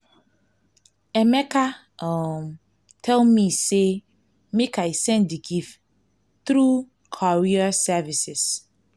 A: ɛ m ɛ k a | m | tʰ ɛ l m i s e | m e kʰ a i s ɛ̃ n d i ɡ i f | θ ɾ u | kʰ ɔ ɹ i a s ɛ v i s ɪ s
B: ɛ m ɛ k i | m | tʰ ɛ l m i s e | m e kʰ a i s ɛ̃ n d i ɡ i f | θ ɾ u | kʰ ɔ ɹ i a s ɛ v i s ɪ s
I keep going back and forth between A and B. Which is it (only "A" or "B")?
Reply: A